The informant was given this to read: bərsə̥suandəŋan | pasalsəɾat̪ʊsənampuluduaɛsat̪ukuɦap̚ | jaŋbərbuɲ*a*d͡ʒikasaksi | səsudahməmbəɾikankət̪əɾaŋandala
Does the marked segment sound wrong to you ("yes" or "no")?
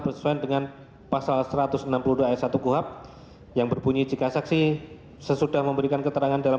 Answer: yes